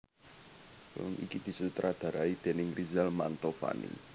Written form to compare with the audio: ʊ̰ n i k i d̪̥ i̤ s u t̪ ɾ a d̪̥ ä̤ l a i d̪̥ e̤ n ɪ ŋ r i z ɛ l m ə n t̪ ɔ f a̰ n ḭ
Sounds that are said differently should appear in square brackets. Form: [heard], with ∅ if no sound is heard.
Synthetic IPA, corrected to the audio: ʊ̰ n i k i d̪̥ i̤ s u t̪ ɾ a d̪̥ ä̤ [ɾ] a i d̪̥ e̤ n ɪ ŋ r i z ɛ l m [a] n t̪ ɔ f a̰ n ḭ

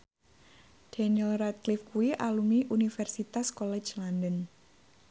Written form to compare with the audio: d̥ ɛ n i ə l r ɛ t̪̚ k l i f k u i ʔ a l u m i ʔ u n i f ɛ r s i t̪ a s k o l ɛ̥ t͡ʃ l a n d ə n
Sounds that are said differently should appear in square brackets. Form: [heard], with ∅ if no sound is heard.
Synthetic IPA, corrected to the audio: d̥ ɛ n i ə l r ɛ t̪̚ k l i f k u i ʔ a l u m i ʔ u n i f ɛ r s i t̪ a s k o l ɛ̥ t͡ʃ l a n d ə n

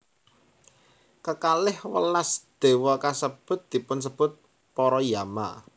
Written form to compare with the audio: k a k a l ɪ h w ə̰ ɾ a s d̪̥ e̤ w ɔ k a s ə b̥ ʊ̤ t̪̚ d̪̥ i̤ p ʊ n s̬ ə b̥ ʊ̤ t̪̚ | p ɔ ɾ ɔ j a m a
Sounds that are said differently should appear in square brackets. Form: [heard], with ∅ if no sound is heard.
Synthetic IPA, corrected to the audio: k [ə] k a l ɪ h w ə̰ [l] a s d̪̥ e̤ w ɔ k a s ə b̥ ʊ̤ t̪̚ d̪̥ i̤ p ʊ n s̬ ə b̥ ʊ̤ t̪̚ | p ɔ ɾ ɔ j a m a

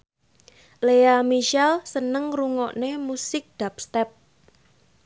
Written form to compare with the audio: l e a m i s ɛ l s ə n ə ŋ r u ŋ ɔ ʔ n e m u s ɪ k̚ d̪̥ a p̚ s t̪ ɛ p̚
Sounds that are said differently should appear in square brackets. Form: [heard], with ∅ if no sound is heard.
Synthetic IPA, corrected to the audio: l e a m i [ʃ] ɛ l s ə n ə ŋ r u ŋ ɔ ʔ n e m u s ɪ k̚ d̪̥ a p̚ s t̪ ɛ p̚

